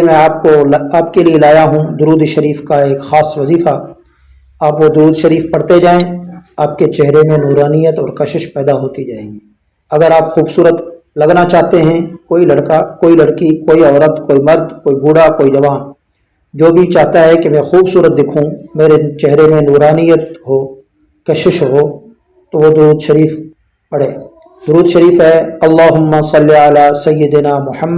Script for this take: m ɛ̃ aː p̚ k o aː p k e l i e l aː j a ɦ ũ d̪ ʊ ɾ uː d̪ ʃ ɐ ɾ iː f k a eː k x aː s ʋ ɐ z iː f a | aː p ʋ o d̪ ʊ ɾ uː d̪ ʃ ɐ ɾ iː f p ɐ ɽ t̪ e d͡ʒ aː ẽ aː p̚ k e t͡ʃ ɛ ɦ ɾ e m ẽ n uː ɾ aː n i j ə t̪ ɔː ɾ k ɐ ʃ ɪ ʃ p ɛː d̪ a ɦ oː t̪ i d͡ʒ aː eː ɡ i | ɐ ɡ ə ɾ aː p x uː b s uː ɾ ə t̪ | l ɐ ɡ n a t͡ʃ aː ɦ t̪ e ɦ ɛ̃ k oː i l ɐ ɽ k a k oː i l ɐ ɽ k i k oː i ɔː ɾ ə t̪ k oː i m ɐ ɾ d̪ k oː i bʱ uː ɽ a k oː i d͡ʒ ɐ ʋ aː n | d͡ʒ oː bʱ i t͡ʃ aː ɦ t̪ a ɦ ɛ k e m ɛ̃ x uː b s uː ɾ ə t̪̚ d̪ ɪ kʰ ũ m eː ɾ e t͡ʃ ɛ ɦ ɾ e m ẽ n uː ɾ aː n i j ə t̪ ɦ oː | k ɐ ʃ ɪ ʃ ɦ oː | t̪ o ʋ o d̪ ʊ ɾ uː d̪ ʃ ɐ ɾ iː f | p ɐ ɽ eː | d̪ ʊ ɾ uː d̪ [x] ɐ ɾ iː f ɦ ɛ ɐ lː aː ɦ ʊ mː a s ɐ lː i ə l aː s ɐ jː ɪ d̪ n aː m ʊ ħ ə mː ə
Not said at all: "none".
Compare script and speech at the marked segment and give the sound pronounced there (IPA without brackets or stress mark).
ʃ